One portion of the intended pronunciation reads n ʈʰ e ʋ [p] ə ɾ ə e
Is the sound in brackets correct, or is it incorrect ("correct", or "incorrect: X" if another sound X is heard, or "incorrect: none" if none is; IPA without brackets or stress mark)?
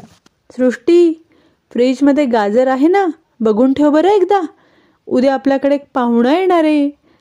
incorrect: b